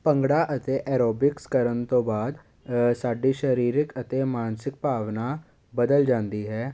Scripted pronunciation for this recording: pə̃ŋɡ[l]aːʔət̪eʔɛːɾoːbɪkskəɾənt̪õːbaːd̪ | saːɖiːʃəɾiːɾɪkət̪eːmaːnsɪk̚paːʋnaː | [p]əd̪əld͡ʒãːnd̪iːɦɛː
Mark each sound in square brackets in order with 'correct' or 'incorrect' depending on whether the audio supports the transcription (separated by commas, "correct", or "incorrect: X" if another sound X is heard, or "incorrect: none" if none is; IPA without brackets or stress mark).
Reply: incorrect: ɽ, incorrect: b